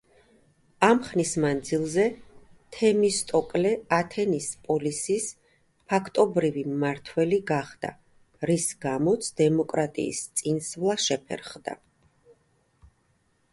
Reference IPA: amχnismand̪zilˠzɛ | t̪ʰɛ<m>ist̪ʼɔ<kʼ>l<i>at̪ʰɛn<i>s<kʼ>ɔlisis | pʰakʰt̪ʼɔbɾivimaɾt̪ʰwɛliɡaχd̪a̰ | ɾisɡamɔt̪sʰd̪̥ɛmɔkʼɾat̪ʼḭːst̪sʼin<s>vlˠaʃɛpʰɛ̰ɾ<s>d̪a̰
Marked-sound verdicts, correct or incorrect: correct, correct, incorrect, correct, incorrect, correct, incorrect

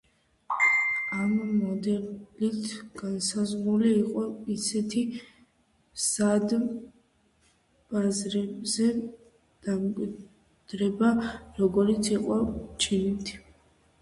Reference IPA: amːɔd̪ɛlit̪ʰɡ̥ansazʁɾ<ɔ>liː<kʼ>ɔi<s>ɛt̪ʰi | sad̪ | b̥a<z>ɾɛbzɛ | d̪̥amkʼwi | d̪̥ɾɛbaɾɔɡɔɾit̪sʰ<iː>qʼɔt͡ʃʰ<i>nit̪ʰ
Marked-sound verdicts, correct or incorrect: incorrect, incorrect, correct, correct, incorrect, correct

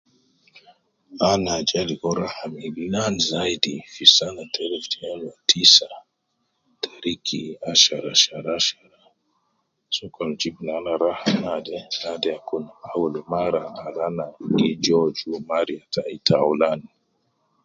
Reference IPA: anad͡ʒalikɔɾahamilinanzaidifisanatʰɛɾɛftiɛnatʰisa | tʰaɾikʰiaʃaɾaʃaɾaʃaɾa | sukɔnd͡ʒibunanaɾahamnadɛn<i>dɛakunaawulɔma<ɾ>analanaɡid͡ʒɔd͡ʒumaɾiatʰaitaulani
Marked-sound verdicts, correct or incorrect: incorrect, correct

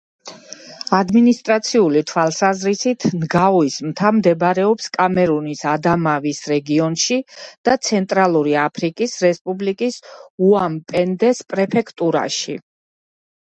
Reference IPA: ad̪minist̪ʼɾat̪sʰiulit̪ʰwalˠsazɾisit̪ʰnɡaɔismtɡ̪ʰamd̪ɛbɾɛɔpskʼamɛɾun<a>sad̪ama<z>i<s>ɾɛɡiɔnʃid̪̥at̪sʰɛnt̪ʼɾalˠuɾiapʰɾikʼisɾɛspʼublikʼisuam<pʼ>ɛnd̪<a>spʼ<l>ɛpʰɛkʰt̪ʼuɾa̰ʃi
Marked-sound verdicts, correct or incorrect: incorrect, incorrect, correct, correct, incorrect, incorrect

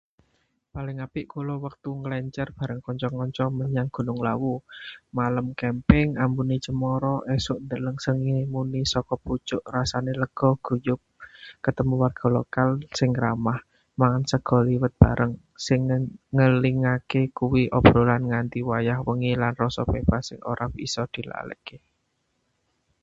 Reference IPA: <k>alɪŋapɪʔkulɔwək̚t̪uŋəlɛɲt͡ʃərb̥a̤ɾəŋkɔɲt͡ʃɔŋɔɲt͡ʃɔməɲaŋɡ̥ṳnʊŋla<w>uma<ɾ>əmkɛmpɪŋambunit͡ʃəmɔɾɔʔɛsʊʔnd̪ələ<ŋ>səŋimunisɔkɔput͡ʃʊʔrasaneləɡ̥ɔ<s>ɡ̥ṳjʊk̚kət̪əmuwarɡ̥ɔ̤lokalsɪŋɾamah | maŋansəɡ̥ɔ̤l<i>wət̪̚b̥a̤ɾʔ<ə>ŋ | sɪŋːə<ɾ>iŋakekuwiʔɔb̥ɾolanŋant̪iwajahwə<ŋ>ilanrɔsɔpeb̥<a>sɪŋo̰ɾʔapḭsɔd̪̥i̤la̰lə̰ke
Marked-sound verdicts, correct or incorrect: incorrect, correct, incorrect, correct, incorrect, correct, correct, incorrect, correct, correct

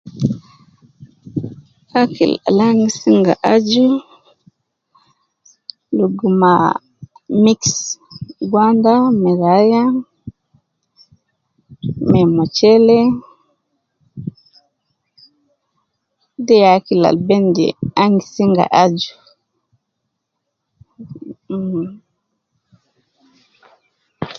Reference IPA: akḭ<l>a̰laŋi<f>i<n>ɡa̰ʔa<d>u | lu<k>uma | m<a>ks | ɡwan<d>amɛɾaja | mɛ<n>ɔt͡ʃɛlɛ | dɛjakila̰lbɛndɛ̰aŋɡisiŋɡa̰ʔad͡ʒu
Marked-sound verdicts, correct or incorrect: correct, incorrect, incorrect, incorrect, incorrect, incorrect, correct, incorrect

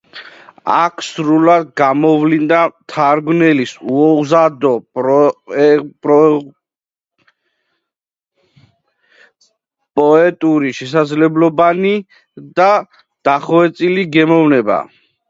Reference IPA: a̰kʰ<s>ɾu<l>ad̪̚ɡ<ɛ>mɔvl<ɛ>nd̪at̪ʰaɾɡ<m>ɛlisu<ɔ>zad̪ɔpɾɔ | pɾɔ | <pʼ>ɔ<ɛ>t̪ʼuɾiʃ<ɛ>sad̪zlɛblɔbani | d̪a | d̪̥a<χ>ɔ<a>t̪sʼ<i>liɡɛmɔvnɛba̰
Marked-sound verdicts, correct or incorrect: correct, correct, incorrect, incorrect, incorrect, correct, correct, correct, correct, correct, incorrect, correct

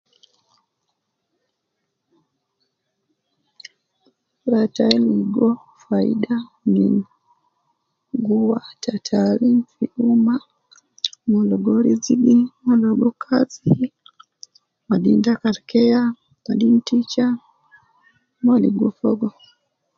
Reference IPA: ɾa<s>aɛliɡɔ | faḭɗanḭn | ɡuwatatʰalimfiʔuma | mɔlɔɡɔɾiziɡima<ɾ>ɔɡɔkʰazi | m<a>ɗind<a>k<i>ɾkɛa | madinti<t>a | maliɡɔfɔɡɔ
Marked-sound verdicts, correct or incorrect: incorrect, incorrect, correct, correct, incorrect, incorrect

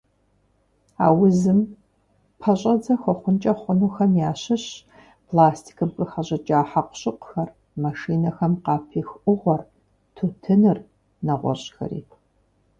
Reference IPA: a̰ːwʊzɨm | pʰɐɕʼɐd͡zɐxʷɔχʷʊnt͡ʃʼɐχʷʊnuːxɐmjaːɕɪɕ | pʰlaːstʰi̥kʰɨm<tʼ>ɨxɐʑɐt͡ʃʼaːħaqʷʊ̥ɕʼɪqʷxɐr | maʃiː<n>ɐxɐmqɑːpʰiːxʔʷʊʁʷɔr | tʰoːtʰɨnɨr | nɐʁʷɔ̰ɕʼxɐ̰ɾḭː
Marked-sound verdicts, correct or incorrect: incorrect, correct

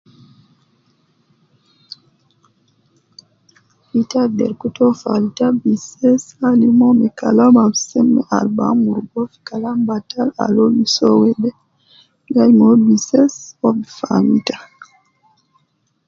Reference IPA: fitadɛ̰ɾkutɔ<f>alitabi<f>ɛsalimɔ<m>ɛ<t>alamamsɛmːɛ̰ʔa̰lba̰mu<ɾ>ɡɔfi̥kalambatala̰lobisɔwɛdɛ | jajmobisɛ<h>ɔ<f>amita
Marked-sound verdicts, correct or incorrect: correct, incorrect, correct, incorrect, correct, incorrect, correct

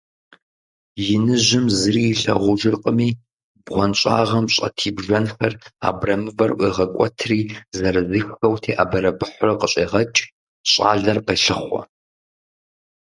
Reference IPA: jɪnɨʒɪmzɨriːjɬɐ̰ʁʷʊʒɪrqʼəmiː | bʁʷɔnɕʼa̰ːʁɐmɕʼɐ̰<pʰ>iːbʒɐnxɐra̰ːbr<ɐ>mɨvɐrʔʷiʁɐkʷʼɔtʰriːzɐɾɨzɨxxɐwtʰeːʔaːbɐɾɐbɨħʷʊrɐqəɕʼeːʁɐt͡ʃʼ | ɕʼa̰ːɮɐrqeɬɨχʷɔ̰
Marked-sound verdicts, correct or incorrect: incorrect, correct

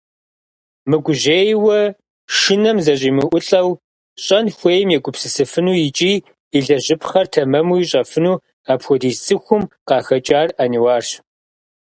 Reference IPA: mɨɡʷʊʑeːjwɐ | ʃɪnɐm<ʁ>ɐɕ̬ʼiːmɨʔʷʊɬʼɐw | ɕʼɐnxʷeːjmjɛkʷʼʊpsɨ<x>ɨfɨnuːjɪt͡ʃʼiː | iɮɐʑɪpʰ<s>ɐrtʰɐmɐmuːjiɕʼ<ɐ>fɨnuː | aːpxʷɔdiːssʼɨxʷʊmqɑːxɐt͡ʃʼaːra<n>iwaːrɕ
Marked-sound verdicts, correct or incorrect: incorrect, incorrect, incorrect, correct, correct

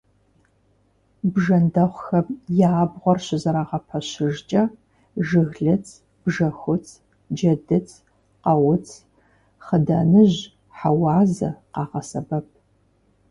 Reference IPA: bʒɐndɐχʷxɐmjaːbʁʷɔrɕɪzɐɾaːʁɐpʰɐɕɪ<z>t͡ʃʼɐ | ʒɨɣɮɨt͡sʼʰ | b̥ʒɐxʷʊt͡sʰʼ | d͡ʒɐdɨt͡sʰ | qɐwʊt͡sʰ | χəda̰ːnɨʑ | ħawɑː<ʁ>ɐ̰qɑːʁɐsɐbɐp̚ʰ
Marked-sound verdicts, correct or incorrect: incorrect, incorrect

